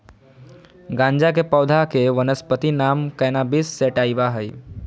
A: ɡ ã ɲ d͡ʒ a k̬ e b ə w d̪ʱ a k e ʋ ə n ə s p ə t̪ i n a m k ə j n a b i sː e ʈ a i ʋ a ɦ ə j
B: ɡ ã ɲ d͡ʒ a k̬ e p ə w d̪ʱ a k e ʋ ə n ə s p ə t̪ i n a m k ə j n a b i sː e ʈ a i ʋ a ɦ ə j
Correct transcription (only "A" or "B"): B